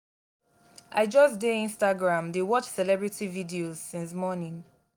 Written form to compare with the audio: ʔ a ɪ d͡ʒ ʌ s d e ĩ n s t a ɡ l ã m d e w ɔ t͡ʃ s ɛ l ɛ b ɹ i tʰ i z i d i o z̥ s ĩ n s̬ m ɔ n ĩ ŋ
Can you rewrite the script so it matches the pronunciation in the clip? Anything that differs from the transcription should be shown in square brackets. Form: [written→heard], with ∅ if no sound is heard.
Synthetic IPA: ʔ a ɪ d͡ʒ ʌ s d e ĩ n s t a ɡ [l→ɹ] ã m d e w ɔ t͡ʃ s ɛ l ɛ b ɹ i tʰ i [z→v] i d i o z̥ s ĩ n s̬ m ɔ n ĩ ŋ